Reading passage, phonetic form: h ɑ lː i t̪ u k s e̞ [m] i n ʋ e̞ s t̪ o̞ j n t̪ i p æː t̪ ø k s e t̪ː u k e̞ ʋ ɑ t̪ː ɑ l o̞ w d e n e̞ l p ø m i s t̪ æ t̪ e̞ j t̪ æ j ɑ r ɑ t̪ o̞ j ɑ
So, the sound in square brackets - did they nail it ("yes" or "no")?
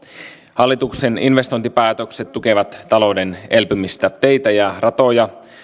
no